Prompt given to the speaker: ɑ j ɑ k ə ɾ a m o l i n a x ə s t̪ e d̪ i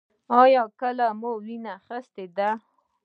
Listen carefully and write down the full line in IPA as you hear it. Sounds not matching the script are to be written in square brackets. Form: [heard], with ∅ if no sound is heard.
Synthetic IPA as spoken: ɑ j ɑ k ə [l] a m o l i n a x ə s t̪ e d̪ [a]